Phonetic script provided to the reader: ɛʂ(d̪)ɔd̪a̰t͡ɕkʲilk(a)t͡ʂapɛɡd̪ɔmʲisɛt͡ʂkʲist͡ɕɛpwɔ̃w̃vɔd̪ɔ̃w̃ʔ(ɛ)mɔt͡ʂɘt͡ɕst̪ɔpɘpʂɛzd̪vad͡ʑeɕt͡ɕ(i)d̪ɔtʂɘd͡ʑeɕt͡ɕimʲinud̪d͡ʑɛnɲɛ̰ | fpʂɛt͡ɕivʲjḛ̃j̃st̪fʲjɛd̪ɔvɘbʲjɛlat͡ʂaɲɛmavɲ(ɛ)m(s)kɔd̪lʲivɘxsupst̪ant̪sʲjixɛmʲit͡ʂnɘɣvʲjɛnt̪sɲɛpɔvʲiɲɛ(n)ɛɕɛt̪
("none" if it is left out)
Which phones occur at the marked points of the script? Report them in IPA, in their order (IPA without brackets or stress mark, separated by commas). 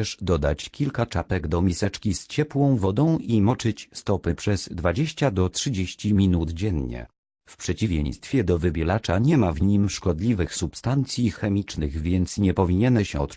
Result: d̪, a, i, a, i, ʂ, n